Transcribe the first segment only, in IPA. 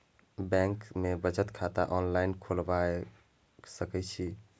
b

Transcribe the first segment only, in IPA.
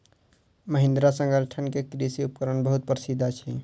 m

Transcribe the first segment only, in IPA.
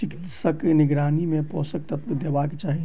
t͡ʃ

